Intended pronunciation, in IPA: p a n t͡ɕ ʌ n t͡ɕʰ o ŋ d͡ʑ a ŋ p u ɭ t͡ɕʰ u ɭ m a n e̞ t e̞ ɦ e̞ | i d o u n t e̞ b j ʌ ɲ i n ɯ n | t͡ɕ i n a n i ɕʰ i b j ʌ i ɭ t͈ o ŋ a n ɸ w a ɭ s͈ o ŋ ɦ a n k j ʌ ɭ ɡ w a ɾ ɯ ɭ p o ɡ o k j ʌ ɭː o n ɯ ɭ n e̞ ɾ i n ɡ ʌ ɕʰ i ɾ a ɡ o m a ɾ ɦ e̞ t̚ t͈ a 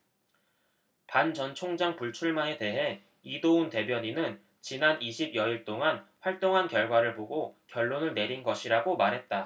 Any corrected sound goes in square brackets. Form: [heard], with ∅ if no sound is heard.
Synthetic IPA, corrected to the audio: p a n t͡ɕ ʌ n t͡ɕʰ o ŋ d͡ʑ a ŋ p u ɭ t͡ɕʰ u ɭ m a n e̞ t e̞ ɦ e̞ | i d o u n t e̞ b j ʌ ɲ i n ɯ n | t͡ɕ i n a n i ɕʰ i b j ʌ i ɭ t͈ o ŋ a n ɸ w a ɭ [t͈] o ŋ ɦ a n k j ʌ ɭ ɡ w a ɾ ɯ ɭ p o ɡ o k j ʌ ɭː o n ɯ ɭ n e̞ ɾ i n ɡ ʌ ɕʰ i ɾ a ɡ o m a ɾ ɦ e̞ t̚ t͈ a